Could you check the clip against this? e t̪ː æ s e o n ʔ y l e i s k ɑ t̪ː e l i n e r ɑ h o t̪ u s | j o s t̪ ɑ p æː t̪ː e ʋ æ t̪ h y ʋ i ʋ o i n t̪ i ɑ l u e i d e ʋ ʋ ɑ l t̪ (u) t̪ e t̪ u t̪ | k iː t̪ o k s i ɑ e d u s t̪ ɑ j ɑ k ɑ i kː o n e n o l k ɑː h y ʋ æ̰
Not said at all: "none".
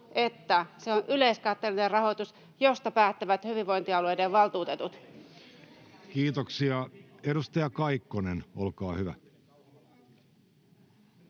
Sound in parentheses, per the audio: uː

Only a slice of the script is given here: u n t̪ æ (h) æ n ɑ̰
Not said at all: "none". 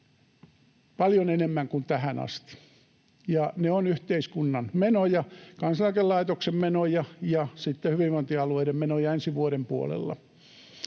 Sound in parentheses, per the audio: h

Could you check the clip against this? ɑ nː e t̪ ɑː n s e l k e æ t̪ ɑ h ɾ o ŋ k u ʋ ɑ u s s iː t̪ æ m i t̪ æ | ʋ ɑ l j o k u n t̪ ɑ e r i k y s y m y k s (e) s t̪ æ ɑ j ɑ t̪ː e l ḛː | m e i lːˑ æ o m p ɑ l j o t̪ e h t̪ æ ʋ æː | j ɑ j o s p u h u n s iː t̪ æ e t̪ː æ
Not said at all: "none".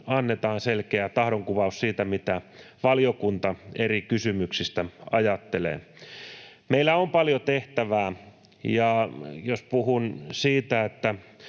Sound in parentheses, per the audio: i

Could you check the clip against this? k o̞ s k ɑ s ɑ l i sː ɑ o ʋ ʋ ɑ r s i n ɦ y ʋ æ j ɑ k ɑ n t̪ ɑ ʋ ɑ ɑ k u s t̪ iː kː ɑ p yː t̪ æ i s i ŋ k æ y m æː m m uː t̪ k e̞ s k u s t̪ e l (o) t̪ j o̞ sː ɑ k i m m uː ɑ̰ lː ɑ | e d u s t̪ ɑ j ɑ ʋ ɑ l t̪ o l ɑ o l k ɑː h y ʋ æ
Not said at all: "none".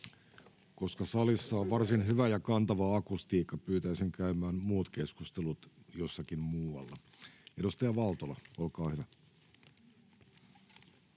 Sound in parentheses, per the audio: u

